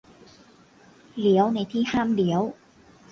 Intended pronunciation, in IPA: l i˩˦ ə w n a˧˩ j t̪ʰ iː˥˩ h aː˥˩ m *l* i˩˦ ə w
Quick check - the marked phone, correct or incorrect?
correct